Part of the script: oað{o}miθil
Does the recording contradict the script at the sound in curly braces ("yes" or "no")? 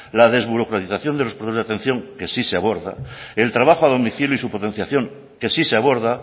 no